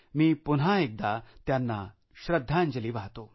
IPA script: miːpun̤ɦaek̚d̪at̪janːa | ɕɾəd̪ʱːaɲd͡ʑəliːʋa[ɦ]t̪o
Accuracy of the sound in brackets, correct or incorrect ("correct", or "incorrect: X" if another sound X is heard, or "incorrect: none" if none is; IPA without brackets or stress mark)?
correct